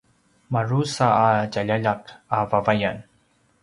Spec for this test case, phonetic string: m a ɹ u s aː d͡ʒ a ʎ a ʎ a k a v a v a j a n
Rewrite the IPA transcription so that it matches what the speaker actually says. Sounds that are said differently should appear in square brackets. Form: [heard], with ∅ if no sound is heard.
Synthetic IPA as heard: m a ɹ u s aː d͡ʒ a ʎ a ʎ a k a v a v a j a n